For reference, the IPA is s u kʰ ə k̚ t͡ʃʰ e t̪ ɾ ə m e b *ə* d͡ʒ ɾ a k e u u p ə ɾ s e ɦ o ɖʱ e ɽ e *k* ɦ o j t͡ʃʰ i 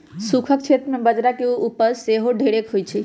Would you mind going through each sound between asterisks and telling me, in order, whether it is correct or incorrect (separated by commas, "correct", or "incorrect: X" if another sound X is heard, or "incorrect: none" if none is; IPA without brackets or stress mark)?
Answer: correct, correct